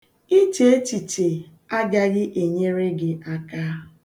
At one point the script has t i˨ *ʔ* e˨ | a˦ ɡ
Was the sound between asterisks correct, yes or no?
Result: no